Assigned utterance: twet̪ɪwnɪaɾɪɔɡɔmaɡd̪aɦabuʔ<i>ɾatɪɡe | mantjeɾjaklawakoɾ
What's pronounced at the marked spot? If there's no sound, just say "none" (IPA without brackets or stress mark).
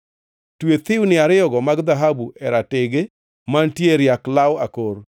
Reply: ɛ